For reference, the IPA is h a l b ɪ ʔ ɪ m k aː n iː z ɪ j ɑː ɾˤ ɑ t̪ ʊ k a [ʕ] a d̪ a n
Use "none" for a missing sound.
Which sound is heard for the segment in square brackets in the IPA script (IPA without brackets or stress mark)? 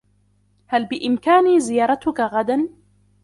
ɣ